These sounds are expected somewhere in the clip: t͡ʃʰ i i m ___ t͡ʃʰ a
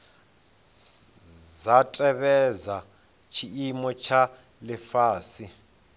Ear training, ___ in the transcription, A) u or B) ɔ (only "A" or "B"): B